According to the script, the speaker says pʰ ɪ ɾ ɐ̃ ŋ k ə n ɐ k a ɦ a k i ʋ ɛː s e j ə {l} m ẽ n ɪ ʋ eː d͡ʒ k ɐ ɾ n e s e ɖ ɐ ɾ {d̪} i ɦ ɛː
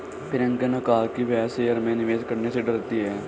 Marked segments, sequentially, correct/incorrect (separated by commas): incorrect, incorrect